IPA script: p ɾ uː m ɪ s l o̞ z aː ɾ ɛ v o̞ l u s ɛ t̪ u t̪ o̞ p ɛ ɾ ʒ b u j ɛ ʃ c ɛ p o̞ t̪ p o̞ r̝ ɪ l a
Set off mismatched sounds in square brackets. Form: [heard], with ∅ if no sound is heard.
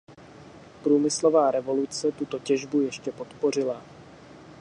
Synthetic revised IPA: p ɾ uː m ɪ s l o̞ [v] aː ɾ ɛ v o̞ l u [t͡s] ɛ t̪ u t̪ o̞ [c] ɛ [∅] ʒ b u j ɛ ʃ c ɛ p o̞ t̪ p o̞ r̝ ɪ l a